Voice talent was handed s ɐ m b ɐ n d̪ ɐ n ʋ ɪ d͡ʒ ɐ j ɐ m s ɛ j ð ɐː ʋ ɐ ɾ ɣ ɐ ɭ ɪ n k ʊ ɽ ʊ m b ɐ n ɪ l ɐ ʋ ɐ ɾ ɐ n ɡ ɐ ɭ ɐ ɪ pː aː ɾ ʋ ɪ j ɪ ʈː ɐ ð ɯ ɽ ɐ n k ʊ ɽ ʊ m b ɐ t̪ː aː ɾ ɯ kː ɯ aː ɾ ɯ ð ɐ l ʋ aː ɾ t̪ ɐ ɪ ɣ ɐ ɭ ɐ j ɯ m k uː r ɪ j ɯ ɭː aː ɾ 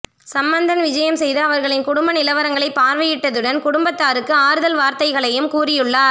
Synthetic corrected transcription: s ɐ m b ɐ n d̪ ɐ n ʋ ɪ d͡ʒ ɐ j ɐ m s ɛ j ð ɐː ʋ ɐ ɾ ɣ ɐ ɭ ɪ n k ʊ ɽ ʊ m b ɐ n ɪ l ɐ ʋ ɐ ɾ ɐ ŋ ɡ ɐ ɭ ɐ ɪ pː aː ɾ ʋ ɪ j ɪ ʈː ɐ ð ɯ ɽ ɐ n k ʊ ɽ ʊ m b ɐ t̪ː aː ɾ ɯ kː ɯ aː ɾ ɯ ð ɐ l ʋ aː ɾ t̪ ɐ ɪ ɣ ɐ ɭ ɐ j ɯ m k uː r ɪ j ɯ ɭː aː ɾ